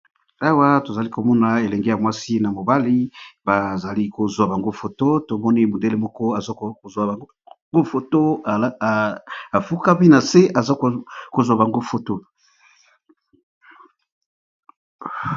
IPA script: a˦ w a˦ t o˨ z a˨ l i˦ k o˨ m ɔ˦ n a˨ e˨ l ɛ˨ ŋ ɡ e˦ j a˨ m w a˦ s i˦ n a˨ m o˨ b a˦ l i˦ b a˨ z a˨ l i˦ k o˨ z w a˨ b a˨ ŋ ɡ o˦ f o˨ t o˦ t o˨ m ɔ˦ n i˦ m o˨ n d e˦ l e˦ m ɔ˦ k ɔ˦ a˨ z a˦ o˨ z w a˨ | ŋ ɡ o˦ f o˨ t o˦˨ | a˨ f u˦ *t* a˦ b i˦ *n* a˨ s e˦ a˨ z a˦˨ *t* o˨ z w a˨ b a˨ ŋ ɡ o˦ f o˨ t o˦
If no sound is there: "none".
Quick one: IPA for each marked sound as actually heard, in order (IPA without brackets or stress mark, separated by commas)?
k, n, k